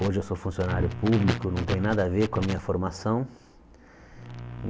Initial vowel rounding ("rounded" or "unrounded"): rounded